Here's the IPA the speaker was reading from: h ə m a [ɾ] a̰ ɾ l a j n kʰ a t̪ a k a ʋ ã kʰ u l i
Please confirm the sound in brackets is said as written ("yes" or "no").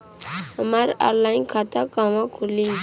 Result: yes